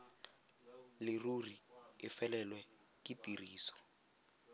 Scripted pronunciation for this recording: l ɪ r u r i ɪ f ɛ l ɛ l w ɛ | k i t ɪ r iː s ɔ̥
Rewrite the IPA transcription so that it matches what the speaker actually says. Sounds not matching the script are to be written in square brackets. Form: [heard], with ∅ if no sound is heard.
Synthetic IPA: l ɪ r u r i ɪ f ɛ l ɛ l w ɛ | k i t [i] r iː s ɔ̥